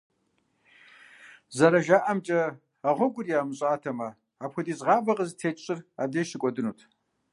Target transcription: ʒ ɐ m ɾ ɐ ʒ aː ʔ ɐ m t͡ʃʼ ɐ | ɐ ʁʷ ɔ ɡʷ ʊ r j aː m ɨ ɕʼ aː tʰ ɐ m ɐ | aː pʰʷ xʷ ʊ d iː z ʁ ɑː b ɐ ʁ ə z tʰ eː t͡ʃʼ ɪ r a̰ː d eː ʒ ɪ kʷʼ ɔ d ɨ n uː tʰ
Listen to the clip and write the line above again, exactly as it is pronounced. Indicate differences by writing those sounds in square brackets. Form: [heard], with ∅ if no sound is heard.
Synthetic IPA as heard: [z] ɐ [∅] ɾ ɐ ʒ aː ʔ ɐ m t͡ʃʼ ɐ | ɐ ʁʷ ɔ ɡʷ ʊ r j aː m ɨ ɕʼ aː tʰ ɐ m ɐ | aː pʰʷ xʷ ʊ d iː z ʁ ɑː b ɐ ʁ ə z tʰ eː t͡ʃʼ ɪ r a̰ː d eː [ʃ] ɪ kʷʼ ɔ d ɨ n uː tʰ